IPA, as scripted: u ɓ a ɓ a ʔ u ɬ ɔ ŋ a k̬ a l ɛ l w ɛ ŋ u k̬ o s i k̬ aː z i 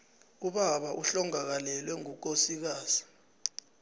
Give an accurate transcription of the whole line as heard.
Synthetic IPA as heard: u ɓ a ɓ a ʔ u ɬ ɔ ŋ a k̬ a l ɛ l w ɛ ŋ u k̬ o s i k̬ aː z i

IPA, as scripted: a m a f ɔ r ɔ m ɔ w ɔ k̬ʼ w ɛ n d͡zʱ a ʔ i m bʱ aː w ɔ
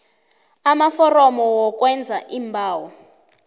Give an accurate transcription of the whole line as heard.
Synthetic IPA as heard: a m a f ɔ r ɔ m ɔ w ɔ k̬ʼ w ɛ n d͡zʱ a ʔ i m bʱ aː w ɔ

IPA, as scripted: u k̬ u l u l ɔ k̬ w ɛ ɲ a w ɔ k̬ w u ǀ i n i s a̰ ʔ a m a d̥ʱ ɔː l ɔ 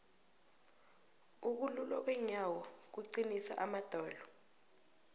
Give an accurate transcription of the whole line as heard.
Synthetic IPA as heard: u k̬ u l u l ɔ k̬ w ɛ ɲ a w ɔ k̬ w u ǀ i n i s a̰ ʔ a m a d̥ʱ ɔː l ɔ

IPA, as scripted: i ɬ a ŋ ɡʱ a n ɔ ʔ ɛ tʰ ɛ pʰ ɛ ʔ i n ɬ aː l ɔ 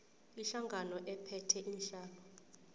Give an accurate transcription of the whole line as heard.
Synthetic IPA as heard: i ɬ a ŋ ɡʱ a n ɔ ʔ ɛ pʰ ɛ tʰ ɛ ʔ i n ɬ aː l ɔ

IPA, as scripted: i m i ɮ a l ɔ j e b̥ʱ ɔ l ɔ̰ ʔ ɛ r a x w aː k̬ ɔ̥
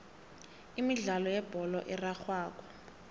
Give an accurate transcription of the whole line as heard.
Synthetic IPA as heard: i m i ɮ a l ɔ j ɛ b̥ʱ ɔ l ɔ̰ ʔ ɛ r a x w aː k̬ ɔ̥

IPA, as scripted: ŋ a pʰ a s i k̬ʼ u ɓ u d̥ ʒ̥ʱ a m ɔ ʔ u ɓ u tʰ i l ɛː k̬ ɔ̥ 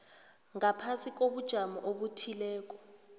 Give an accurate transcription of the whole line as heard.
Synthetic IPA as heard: ŋ a pʰ a s i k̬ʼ o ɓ u d̥ ʒ̥ʱ a m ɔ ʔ o ɓ u tʰ i l ɛː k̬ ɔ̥

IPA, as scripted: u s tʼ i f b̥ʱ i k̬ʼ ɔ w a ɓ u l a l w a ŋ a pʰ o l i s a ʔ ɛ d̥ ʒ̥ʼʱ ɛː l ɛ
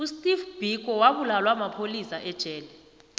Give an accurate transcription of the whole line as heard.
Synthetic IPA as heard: u s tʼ i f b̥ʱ i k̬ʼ ɔ w a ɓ u l a l w a m a pʰ o l i s a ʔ ɛ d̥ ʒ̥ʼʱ ɛː l ɛ

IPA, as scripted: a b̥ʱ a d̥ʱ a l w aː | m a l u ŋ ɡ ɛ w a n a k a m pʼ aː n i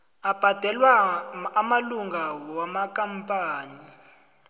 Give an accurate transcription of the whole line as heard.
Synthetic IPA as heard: a b̥ʱ a d̥ʱ ɛ l w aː | m a l u ŋ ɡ a w a m a k a m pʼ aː n i

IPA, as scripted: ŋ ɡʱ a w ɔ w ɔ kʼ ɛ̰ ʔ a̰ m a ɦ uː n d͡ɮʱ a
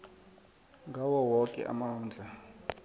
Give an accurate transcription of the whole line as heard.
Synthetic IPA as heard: ŋ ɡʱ a w ɔ w ɔ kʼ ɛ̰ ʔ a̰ m a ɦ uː n d͡ɮʱ a

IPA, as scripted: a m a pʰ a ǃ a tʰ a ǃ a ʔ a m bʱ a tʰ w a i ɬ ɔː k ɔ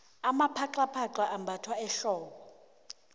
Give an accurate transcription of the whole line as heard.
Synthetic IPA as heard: a m a pʰ a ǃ a pʰ a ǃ a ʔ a m bʱ a tʰ w a ɛ ɬ ɔː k ɔ

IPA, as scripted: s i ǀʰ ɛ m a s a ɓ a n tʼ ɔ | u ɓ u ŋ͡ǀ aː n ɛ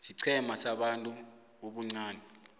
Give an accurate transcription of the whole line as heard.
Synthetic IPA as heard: s i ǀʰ ɛ m a s a ɓ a n tʼ u | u ɓ u ŋ͡ǀ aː n ɛ

